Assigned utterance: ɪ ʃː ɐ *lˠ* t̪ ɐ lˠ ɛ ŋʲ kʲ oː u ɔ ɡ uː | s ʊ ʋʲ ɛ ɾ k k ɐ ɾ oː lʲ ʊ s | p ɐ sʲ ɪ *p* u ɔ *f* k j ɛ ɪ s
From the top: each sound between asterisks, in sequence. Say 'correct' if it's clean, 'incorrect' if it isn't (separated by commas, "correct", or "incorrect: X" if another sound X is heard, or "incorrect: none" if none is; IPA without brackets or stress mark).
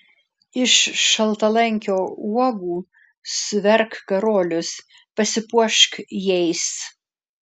correct, correct, incorrect: ʃ